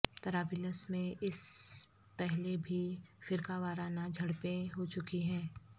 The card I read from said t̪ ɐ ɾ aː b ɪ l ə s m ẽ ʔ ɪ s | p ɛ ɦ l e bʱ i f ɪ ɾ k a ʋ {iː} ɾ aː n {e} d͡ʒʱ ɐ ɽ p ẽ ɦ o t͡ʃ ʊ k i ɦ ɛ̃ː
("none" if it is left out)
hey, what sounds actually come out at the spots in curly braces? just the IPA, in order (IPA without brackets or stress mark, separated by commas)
aː, a